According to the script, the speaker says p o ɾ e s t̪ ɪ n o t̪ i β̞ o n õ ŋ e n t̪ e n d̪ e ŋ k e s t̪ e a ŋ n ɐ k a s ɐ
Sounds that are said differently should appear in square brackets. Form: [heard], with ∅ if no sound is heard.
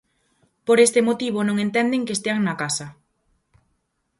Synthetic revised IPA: p o ɾ e s t̪ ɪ [m] o t̪ i β̞ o n õ ŋ e n t̪ [ɛ] n d̪ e ŋ k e s t̪ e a ŋ n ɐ k a s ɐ